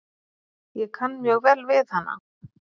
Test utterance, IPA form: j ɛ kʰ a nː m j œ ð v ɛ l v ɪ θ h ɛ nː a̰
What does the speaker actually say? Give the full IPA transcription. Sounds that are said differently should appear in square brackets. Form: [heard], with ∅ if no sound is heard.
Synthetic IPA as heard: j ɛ kʰ a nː m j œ [ɣ] v ɛ l v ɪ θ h [a] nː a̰